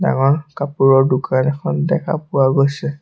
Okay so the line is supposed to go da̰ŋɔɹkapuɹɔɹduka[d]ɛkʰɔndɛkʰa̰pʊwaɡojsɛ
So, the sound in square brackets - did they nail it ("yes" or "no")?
no